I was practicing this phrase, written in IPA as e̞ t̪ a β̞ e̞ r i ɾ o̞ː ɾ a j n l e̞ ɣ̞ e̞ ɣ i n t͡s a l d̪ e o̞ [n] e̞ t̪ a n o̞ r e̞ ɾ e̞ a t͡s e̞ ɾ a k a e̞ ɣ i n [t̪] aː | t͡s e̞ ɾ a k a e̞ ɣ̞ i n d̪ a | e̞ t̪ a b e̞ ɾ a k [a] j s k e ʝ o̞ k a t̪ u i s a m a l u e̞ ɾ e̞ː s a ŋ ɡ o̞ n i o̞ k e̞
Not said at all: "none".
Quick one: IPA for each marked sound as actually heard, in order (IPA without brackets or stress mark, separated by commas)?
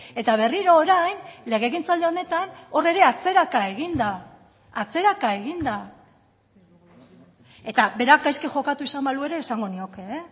n, d̪, a